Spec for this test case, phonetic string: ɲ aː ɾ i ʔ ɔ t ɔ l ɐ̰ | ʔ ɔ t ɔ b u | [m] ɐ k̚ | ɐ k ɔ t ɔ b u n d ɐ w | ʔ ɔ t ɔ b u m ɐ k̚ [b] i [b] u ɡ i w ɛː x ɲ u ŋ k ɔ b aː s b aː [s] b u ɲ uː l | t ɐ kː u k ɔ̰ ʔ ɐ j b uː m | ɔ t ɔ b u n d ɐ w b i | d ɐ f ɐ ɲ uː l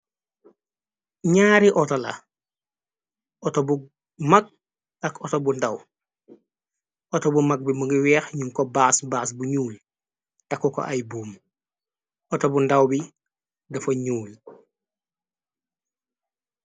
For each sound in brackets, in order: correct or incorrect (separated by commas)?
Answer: correct, correct, incorrect, correct